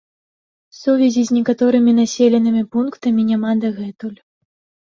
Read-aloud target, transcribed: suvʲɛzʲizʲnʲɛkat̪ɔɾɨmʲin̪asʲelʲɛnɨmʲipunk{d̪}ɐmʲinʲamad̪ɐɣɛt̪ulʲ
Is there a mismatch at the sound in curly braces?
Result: yes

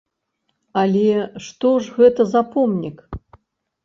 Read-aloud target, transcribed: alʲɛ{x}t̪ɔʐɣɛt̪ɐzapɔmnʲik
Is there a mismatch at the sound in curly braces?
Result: yes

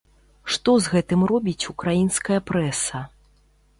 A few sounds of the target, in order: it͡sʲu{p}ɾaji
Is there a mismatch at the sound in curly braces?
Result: yes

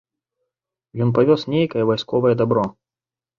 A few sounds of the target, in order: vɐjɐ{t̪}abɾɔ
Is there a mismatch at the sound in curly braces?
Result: yes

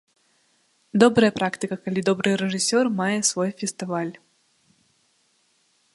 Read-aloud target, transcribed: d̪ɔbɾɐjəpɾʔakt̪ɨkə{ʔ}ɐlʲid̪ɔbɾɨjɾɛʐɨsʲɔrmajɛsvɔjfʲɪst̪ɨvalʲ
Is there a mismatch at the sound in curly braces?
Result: yes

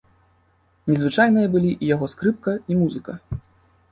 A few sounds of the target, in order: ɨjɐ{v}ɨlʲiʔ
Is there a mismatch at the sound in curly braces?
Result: yes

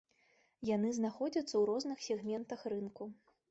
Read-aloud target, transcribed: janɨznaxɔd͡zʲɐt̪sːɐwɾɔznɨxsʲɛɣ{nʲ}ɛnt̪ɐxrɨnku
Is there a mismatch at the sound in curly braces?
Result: yes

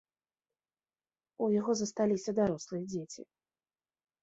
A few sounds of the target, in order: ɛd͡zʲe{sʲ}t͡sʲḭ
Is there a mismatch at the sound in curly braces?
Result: yes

